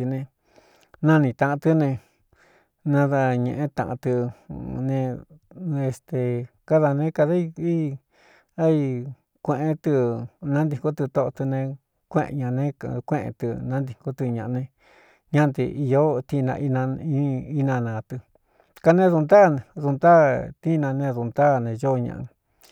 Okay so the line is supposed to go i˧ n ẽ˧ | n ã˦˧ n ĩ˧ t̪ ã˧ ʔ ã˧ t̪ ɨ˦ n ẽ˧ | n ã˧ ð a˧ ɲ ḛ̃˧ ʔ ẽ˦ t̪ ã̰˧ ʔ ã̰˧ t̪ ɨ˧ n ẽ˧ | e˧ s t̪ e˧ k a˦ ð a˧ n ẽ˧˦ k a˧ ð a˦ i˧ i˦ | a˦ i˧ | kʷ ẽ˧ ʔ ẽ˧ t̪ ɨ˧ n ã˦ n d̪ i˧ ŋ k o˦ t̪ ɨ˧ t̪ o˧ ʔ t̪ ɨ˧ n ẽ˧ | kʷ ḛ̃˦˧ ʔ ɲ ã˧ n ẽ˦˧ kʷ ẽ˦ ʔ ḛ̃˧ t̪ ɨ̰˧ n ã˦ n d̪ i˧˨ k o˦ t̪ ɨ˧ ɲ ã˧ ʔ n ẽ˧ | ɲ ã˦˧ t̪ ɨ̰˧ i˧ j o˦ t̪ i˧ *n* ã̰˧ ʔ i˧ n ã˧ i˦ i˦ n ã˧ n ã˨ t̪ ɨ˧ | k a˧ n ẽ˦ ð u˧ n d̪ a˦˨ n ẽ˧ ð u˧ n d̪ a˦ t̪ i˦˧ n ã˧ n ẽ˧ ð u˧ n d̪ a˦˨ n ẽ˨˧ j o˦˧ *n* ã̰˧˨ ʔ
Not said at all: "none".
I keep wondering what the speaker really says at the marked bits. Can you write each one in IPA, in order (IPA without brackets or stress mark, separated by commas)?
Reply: n, ɲ